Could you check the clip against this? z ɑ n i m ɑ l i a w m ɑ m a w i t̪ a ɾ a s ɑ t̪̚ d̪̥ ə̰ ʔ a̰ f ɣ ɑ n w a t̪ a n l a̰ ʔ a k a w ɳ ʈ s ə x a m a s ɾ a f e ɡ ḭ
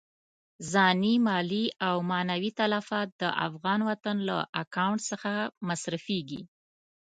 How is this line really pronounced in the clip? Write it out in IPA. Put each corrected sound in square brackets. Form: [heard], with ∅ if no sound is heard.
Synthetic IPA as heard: z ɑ n i m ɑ l i a w m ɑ [n] a w i t̪ a [l] a [f] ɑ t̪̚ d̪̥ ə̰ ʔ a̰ f ɣ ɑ n w a t̪ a n l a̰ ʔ a k a w ɳ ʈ s ə x a m a s ɾ a f e ɡ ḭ